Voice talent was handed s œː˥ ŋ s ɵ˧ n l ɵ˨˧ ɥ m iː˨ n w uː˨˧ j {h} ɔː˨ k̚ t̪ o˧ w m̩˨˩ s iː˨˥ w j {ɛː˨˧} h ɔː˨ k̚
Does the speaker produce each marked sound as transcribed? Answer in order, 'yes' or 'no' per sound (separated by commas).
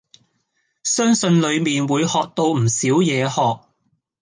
yes, yes